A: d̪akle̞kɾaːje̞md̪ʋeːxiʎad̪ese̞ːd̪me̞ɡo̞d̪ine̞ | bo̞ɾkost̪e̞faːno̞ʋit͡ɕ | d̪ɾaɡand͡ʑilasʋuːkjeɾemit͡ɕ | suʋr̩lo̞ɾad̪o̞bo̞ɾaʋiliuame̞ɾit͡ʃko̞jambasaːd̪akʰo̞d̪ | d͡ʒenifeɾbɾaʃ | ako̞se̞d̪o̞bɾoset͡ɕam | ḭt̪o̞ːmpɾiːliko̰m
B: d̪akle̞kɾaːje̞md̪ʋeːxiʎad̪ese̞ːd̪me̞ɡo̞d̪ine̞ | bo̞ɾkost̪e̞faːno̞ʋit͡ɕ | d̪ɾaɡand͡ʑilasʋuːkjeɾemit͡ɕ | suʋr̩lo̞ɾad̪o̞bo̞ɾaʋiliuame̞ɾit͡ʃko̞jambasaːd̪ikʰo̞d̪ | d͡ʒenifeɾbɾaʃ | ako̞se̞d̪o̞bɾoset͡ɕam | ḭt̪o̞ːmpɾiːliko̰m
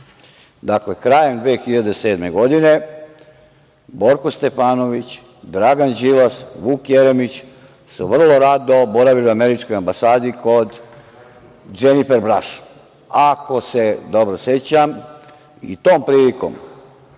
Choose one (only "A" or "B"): B